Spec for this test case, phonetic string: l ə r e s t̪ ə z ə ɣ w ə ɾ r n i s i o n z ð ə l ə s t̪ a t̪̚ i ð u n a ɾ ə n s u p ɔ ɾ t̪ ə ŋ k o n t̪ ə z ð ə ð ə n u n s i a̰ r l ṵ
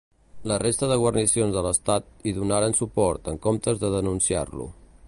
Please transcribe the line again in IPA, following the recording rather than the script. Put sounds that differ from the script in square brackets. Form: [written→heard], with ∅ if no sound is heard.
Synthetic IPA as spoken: l ə r e s t̪ ə [z→ð] ə ɣ w ə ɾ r n i s i o n z ð ə l ə s t̪ a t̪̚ i ð u n a ɾ ə n s u p ɔ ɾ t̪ ə ŋ k o [n→m] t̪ ə z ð ə ð ə n u n s i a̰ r l ṵ